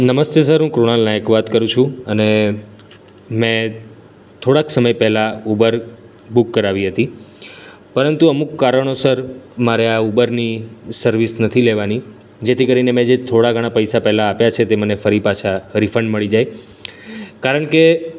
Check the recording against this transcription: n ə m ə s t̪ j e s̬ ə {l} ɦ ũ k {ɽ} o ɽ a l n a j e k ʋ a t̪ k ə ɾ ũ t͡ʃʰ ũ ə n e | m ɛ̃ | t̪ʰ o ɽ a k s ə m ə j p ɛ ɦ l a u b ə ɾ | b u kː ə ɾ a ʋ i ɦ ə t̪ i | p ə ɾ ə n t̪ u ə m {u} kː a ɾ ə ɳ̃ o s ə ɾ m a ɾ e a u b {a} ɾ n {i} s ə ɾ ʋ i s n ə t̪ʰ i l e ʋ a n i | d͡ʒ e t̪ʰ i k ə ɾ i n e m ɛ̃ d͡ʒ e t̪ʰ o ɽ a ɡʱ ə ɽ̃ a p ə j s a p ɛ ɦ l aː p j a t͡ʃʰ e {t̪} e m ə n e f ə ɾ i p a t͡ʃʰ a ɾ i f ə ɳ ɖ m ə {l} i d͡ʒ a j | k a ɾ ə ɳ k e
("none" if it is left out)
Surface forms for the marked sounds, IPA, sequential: ɾ, ɾ, u, ə, i, t̪, ɭ

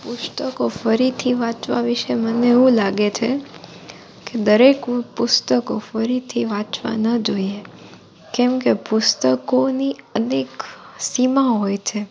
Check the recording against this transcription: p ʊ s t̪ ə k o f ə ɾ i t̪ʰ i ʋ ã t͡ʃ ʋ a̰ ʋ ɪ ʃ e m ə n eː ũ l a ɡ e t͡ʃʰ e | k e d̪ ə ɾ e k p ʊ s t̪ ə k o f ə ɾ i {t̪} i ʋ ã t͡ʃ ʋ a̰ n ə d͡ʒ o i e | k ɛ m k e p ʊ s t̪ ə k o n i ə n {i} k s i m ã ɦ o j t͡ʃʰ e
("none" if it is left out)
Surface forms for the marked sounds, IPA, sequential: t̪ʰ, e

